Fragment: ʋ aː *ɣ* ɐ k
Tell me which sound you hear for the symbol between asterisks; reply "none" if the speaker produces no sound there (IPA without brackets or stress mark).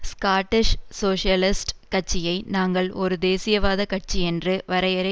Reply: ð